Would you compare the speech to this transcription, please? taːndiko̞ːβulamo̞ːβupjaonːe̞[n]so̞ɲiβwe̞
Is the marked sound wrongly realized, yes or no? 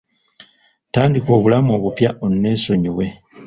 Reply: yes